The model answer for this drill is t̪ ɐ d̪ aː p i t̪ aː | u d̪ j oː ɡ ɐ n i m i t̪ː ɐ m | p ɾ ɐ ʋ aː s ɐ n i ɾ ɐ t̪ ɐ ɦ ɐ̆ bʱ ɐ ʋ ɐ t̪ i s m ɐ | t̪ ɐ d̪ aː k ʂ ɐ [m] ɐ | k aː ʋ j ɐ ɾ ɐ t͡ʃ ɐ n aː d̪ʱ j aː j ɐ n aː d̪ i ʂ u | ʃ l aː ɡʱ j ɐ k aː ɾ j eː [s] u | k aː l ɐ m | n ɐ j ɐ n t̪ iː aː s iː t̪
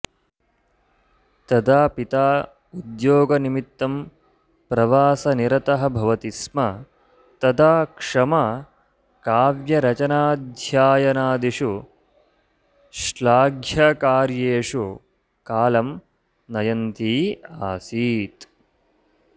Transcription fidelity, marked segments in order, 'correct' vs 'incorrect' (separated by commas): correct, incorrect